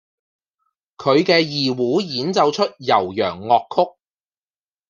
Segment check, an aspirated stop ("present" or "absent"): present